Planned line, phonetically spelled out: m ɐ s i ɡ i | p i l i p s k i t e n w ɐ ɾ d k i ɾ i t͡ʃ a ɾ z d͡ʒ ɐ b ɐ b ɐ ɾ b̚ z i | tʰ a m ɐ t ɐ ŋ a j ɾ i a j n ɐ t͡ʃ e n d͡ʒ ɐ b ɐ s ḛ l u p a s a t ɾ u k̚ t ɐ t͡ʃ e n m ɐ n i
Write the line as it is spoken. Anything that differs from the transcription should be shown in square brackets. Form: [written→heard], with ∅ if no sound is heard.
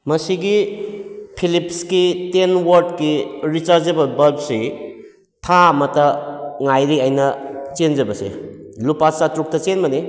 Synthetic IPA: m ɐ s i ɡ i | [p→pʰ] i l i p s k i t e n w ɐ ɾ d k i ɾ i t͡ʃ a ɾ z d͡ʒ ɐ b ɐ b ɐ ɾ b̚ [z→s] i | tʰ a m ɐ t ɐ ŋ a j ɾ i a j n ɐ t͡ʃ e n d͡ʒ ɐ b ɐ s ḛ l u p a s a t ɾ u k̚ t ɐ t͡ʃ e n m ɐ n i